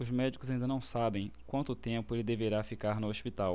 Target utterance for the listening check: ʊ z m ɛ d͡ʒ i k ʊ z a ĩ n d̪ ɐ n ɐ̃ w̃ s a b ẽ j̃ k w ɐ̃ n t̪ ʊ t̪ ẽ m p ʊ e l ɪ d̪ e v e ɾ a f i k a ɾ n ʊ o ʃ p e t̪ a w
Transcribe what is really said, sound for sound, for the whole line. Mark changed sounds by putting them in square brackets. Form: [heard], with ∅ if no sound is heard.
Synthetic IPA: ʊ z m ɛ d͡ʒ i k ʊ z a ĩ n d̪ ɐ n ɐ̃ w̃ s a b ẽ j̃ k w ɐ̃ n t̪ ʊ t̪ ẽ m p ʊ e l ɪ d̪ e v e ɾ a f i k a ɾ n ʊ o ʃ p [i] t̪ a w

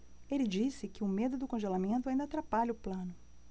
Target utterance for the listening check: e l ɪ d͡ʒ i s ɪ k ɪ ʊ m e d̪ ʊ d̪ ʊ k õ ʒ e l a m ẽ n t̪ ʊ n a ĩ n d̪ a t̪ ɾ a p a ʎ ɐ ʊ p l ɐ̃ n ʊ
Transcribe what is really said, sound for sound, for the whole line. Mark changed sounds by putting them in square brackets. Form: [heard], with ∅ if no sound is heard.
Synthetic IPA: e l ɪ d͡ʒ i s ɪ k ɪ ʊ m e d̪ ʊ d̪ ʊ k õ ʒ e l a m ẽ n t̪ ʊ [∅] a ĩ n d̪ a t̪ ɾ a p a ʎ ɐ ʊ p l ɐ̃ n ʊ

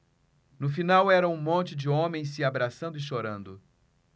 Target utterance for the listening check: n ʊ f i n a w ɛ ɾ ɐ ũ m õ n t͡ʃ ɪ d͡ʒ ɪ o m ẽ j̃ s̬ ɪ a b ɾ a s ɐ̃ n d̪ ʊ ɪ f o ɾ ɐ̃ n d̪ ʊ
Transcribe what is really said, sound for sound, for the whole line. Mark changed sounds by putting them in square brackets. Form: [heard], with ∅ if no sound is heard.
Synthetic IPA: n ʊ f i n a w ɛ ɾ ɐ ũ m õ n t͡ʃ ɪ d͡ʒ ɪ [õ] m ẽ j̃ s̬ ɪ a b ɾ a s ɐ̃ n d̪ ʊ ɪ [ʃ] o ɾ ɐ̃ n d̪ ʊ

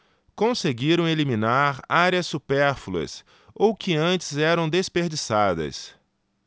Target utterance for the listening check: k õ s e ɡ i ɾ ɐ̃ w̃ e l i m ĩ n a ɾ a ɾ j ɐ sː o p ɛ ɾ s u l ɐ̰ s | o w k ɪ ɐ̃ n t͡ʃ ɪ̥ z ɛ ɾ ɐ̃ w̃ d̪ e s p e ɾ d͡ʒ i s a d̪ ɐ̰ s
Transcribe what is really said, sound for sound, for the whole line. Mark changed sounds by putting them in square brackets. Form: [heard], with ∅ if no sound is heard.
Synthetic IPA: k õ s e ɡ i ɾ ɐ̃ w̃ e l i m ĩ n a ɾ a ɾ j ɐ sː [u] p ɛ ɾ [f] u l ɐ̰ s | o w k ɪ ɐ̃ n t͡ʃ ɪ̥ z ɛ ɾ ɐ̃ w̃ d̪ e s p e ɾ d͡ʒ i s a d̪ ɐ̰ s

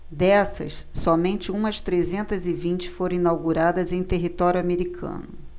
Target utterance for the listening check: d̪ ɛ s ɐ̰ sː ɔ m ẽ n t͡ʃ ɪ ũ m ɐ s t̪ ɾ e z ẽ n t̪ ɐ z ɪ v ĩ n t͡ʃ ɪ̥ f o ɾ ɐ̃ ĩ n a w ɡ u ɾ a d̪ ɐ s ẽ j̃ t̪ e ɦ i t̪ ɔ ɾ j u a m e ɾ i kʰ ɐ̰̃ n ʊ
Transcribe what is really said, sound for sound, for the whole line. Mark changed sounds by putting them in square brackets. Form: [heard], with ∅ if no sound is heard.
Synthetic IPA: d̪ ɛ s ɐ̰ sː ɔ m ẽ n t͡ʃ ɪ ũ m ɐ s t̪ ɾ e z ẽ n t̪ ɐ z ɪ v ĩ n t͡ʃ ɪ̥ f o ɾ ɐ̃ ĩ n a w ɡ u ɾ a d̪ ɐ [z] ẽ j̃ t̪ e ɦ i t̪ ɔ ɾ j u a m e ɾ i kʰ ɐ̰̃ n ʊ

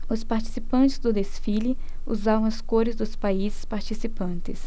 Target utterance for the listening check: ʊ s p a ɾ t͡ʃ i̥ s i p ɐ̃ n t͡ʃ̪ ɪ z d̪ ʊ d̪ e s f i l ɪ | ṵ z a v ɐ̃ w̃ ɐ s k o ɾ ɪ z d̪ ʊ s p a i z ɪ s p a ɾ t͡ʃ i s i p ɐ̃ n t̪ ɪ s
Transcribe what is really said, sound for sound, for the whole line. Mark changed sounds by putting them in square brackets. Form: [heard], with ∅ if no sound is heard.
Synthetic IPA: ʊ s p a ɾ t͡ʃ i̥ s i p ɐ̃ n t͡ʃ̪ ɪ z d̪ ʊ d̪ e s f i l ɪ | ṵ z a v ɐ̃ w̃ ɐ s k o ɾ ɪ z d̪ ʊ s p a i z ɪ s p a ɾ t͡ʃ i s i p ɐ̃ n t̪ ɪ s

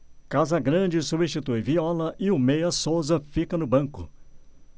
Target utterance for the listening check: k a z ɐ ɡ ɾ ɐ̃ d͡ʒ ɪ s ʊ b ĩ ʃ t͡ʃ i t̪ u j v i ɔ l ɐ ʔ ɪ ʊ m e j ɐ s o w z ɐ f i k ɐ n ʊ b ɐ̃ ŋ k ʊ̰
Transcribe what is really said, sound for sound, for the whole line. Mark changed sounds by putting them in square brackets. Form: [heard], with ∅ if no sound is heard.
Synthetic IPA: k a z ɐ ɡ ɾ ɐ̃ d͡ʒ ɪ s [u] b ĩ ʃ t͡ʃ i t̪ u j v i ɔ l ɐ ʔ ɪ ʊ m e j ɐ s o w z ɐ f i k ɐ n ʊ b ɐ̃ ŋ k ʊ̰

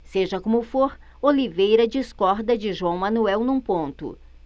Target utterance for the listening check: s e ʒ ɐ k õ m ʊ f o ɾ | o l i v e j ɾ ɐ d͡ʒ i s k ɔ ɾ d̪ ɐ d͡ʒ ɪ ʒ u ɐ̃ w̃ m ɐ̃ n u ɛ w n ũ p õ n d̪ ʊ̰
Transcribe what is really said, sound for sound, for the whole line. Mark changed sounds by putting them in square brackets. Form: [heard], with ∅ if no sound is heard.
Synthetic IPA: s e ʒ ɐ k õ m ʊ f o ɾ | o l i v e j ɾ ɐ d͡ʒ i s k ɔ ɾ d̪ ɐ d͡ʒ ɪ ʒ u ɐ̃ w̃ m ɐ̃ n u ɛ w n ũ p õ n [t̪] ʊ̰

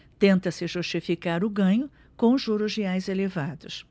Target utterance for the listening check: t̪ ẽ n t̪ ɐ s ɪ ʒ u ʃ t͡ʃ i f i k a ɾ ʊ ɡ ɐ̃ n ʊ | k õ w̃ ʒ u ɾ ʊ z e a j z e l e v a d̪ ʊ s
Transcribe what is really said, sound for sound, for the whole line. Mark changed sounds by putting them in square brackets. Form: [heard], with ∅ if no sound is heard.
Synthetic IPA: t̪ ẽ n t̪ ɐ s ɪ ʒ u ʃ t͡ʃ i f i k a ɾ ʊ ɡ ɐ̃ [ɲ] ʊ | k õ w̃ ʒ u ɾ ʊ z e a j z e l e v a d̪ ʊ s

